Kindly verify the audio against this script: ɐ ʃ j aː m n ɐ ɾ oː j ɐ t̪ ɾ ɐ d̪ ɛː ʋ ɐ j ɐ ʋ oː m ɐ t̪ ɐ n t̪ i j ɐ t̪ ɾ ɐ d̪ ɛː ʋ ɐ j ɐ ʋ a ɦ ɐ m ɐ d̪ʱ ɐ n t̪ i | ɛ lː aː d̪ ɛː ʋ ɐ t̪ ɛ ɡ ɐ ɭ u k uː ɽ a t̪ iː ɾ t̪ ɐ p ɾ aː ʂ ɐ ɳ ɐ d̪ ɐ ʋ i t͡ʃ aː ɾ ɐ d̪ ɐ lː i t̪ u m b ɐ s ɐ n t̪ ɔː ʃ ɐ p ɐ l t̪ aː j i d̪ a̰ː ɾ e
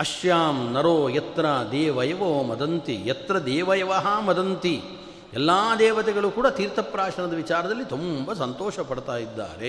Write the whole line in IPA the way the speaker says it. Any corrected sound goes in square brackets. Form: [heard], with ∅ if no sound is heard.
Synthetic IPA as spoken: ɐ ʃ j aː m n ɐ ɾ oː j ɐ t̪ ɾ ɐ d̪ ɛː ʋ ɐ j ɐ ʋ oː m ɐ [d̪] ɐ n t̪ i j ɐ t̪ ɾ ɐ d̪ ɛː ʋ ɐ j ɐ ʋ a ɦ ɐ m ɐ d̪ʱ ɐ n t̪ i | ɛ lː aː d̪ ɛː ʋ ɐ t̪ ɛ ɡ ɐ ɭ u k uː ɽ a t̪ iː ɾ t̪ ɐ p ɾ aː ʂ ɐ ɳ ɐ d̪ ɐ ʋ i t͡ʃ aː ɾ ɐ d̪ ɐ lː i t̪ u m b ɐ s ɐ n t̪ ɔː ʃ ɐ p ɐ [ɽ] t̪ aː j i [d̪ː] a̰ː ɾ e